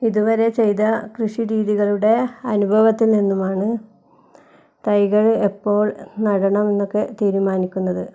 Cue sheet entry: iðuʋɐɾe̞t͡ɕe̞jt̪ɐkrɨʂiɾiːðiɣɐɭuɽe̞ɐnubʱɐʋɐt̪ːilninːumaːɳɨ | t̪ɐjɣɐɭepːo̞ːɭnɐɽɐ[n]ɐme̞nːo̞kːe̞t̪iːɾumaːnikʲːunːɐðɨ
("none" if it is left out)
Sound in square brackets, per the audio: ɳ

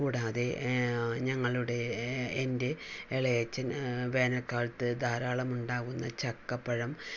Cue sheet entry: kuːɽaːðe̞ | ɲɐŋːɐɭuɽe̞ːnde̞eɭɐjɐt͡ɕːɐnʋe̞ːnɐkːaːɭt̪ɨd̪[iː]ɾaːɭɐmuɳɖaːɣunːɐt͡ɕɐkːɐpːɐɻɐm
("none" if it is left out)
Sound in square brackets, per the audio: aː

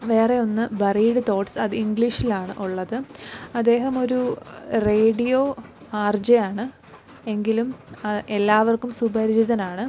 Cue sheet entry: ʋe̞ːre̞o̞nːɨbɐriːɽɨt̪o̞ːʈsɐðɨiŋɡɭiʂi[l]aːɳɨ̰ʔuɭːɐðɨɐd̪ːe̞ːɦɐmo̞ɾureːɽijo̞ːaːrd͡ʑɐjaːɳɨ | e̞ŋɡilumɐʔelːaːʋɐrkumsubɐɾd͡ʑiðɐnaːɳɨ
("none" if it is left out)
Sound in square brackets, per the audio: l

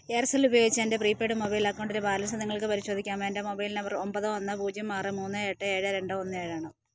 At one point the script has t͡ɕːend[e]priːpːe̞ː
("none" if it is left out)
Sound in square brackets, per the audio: e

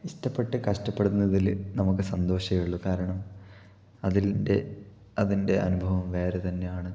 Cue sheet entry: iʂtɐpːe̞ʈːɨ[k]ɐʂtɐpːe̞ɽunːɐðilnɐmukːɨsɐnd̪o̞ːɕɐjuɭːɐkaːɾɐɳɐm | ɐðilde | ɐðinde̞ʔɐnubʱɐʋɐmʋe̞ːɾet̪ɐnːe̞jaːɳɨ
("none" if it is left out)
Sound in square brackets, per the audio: k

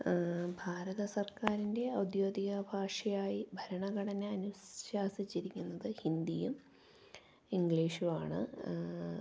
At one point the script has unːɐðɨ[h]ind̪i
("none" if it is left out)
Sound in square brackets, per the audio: h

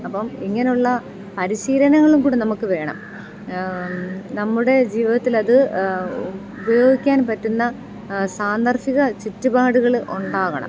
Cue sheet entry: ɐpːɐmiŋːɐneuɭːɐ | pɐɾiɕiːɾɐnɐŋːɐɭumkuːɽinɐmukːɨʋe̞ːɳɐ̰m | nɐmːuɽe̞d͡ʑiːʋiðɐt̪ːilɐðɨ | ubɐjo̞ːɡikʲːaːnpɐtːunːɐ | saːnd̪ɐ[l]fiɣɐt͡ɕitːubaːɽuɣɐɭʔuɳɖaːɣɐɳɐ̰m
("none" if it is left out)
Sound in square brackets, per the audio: r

